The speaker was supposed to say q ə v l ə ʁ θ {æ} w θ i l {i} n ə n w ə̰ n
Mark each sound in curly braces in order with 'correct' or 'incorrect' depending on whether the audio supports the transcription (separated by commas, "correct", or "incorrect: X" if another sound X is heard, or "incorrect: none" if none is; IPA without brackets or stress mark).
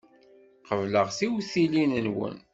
incorrect: i, correct